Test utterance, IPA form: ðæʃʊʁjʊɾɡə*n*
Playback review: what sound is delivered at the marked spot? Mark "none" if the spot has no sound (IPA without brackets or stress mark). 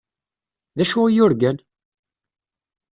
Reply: n